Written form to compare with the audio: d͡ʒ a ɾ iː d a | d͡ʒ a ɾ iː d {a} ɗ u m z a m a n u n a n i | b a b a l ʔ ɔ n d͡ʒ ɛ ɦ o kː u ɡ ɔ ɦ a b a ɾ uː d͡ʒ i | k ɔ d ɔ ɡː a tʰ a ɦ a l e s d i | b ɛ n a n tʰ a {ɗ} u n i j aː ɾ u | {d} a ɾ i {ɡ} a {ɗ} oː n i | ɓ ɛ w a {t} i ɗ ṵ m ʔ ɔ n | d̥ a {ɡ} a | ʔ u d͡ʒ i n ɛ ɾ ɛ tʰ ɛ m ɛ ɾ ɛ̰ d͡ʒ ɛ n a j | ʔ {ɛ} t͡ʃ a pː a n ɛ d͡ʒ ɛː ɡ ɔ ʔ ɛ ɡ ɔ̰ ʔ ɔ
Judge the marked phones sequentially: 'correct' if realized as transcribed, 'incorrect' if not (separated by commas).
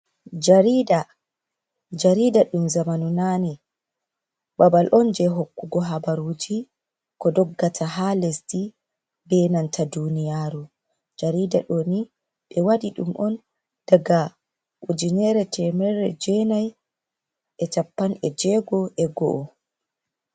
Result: correct, incorrect, incorrect, incorrect, correct, incorrect, correct, correct